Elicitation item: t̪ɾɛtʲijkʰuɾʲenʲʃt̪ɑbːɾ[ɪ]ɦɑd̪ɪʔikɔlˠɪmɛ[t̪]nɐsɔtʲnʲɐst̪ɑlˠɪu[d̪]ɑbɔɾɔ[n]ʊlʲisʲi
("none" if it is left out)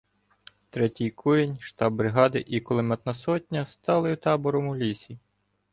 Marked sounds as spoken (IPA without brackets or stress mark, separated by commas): ɪ, t̪, t̪, m